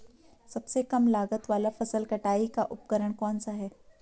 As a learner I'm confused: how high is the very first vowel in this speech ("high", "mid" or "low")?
low